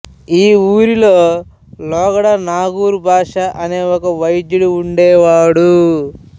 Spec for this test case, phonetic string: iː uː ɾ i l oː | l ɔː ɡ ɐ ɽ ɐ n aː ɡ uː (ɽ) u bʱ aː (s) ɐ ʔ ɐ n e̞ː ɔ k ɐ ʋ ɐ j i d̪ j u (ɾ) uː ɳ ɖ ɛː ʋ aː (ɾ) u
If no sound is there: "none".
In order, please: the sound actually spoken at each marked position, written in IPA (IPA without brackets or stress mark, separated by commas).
ɾ, ʂ, ɽ, ɽ